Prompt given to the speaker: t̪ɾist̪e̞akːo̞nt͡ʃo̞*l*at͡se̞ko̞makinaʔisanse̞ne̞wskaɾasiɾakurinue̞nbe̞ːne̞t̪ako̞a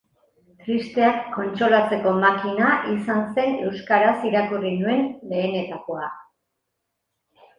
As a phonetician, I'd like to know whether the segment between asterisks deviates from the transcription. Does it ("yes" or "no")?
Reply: no